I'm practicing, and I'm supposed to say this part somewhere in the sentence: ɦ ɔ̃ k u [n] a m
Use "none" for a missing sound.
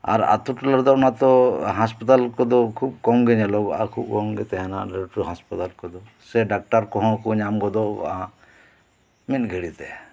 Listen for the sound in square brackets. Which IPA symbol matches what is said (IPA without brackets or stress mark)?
ɲ